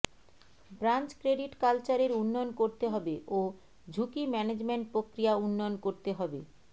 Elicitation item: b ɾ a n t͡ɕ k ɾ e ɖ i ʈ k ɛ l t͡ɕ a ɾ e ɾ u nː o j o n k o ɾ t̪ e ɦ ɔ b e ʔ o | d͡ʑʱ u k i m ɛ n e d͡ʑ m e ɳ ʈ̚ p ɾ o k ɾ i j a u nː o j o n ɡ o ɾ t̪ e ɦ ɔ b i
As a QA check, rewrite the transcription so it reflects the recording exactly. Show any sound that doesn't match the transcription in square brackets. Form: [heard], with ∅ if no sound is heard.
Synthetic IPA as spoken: b ɾ a n t͡ɕ k ɾ e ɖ i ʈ k [a] l t͡ɕ a ɾ e ɾ u nː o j o n k o ɾ t̪ e ɦ ɔ b e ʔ o | d͡ʑʱ u k i m ɛ n e d͡ʑ m e ɳ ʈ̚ p ɾ o k ɾ i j a u nː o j o n [k] o ɾ t̪ e ɦ ɔ b [e]